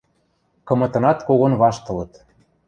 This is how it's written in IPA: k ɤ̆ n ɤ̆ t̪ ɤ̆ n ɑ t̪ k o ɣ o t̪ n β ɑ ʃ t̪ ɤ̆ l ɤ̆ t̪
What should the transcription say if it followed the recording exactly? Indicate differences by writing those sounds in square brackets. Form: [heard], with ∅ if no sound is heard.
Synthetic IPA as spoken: k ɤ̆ [m] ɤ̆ t̪ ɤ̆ n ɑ t̪ k o ɣ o [∅] n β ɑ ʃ t̪ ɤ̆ l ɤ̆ t̪

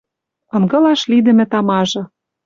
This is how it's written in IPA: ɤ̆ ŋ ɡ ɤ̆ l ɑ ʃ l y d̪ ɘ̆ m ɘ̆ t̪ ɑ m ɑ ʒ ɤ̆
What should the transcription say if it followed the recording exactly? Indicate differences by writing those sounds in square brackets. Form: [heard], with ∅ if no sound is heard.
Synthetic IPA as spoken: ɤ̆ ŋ ɡ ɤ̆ l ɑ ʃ l [i] d̪ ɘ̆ m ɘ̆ t̪ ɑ m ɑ ʒ ɤ̆

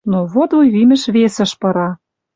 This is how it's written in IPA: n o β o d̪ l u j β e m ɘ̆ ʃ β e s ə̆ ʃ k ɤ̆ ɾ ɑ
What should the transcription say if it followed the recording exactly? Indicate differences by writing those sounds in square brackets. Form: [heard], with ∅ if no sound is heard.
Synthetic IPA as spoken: n o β o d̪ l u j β [i] m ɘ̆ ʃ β e s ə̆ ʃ [p] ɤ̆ ɾ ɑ

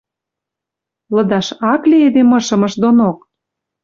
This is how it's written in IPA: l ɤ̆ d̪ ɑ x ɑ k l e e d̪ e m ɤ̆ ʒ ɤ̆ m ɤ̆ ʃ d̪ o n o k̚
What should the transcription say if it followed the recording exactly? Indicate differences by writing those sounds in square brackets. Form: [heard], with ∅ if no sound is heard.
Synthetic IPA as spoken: l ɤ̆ d̪ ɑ [ʃ] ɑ k l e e d̪ e m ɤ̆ [ʃ] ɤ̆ m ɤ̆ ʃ d̪ o n o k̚

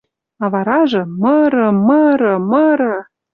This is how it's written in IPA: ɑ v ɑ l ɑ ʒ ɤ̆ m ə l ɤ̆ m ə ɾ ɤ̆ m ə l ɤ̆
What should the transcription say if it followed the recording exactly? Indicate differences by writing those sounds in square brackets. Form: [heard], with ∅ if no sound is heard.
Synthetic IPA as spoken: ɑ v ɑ [ɾ] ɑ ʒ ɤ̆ m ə [ɾ] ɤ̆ m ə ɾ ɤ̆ m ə [ɾ] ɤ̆

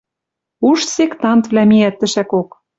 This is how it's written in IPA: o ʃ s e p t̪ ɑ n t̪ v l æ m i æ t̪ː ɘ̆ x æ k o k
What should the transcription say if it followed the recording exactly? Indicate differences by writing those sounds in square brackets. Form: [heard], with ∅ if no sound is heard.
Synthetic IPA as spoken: [u] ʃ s e [k] t̪ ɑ n t̪ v l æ m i æ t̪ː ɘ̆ [ʃ] æ k o k

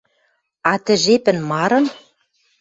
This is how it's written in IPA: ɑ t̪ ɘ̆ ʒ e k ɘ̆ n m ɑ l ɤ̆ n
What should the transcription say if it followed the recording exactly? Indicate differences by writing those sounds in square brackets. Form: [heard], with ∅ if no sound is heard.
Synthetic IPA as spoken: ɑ t̪ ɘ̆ ʒ e [p] ɘ̆ n m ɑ [ɾ] ɤ̆ n

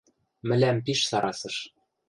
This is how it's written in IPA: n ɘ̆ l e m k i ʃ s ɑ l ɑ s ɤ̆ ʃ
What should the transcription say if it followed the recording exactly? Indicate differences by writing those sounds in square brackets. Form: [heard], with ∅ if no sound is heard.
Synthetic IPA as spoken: [m] ɘ̆ l [æ] m [p] i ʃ s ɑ [ɾ] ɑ s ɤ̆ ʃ

